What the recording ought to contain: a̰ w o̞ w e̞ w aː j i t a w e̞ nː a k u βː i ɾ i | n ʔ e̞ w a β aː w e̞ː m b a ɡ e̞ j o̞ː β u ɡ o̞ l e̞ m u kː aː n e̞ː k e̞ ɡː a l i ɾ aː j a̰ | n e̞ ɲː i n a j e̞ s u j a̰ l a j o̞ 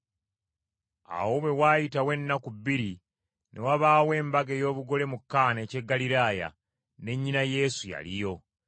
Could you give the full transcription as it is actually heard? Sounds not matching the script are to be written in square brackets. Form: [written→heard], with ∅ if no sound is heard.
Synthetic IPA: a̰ w o̞ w e̞ w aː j i t a w e̞ nː a k u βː i ɾ i | n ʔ e̞ w a β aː w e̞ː m b a ɡ e̞ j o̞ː β u ɡ o̞ l e̞ m u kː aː n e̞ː [k→c] e̞ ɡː a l i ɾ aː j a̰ | n e̞ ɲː i n a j e̞ s u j a̰ l [a→i] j o̞